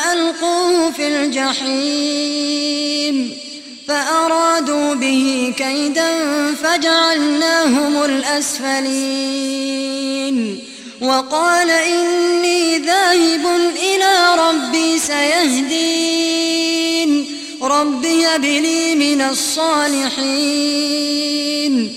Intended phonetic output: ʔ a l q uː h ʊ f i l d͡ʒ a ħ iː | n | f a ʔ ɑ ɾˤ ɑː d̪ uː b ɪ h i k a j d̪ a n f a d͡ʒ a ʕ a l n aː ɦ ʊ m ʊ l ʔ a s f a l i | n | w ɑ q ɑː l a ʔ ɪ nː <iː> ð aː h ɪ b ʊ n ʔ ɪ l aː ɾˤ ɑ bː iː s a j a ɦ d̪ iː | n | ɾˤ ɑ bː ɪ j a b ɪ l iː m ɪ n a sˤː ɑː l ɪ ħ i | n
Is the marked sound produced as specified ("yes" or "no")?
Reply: yes